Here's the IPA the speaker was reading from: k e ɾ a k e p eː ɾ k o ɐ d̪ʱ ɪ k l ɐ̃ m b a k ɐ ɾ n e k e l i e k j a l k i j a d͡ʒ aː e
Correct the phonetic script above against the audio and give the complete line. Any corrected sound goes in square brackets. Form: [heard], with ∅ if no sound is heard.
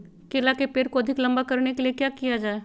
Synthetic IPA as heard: k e [l] a k e p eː ɾ k o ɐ d̪ʱ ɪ k l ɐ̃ m b a k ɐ ɾ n e k e l i e k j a [∅] k i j a d͡ʒ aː e